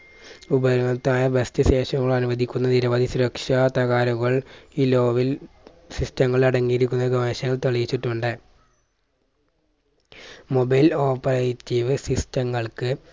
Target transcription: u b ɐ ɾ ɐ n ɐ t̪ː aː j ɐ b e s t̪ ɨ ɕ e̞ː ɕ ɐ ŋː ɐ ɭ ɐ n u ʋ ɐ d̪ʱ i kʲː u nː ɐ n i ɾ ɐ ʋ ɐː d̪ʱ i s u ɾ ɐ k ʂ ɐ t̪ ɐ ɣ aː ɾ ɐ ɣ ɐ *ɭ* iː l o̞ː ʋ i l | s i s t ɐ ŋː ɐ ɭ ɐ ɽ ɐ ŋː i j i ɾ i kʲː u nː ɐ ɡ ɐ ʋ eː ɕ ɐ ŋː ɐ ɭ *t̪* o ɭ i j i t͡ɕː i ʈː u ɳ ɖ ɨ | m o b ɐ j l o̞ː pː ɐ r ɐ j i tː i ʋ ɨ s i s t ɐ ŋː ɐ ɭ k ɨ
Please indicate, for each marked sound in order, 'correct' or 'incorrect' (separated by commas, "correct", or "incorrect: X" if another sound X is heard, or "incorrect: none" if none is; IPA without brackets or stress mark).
correct, correct